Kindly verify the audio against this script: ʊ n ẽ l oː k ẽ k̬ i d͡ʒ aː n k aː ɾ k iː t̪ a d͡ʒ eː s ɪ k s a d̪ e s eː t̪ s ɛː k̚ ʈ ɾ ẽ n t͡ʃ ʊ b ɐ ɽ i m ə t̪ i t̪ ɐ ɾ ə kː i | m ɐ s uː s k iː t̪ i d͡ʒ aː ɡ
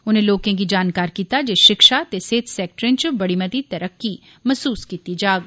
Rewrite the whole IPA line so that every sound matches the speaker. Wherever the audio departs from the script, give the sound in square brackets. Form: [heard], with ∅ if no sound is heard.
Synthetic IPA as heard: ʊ n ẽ l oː k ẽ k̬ i d͡ʒ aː n k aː ɾ k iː t̪ a d͡ʒ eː [ʃ] ɪ k [ʃ] a [t̪] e s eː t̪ s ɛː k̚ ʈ ɾ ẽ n t͡ʃ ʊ b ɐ ɽ i m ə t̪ i t̪ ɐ ɾ ə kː i | m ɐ s uː s k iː t̪ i d͡ʒ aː ɡ